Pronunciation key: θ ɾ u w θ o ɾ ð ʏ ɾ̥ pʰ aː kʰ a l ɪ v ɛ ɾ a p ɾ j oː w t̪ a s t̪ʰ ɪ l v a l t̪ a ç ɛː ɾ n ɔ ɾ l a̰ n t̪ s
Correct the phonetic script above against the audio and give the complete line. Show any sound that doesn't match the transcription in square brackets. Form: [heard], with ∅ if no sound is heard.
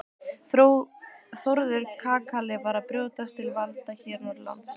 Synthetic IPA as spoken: θ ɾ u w θ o ɾ ð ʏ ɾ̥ [kʰ] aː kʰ a l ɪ v [a] ɾ a p ɾ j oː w t̪ a s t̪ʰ ɪ l v a l t̪ a ç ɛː ɾ n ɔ ɾ l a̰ n t̪ s